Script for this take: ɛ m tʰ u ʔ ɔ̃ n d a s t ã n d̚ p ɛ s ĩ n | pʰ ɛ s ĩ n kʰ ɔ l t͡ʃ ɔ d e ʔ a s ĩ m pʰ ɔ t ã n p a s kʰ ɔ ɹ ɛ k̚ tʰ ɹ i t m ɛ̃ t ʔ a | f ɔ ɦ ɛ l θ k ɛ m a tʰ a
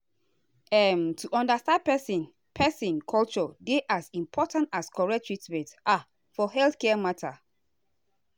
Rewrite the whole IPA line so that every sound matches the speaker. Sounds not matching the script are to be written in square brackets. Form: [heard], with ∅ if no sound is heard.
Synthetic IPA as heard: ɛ m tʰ u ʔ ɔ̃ n d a s t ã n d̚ p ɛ s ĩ n | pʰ ɛ s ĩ n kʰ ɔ l t͡ʃ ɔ d e ʔ a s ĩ m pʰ ɔ t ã n [t] a s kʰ ɔ ɹ ɛ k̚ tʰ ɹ i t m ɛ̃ t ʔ a | f ɔ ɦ ɛ l θ k ɛ m a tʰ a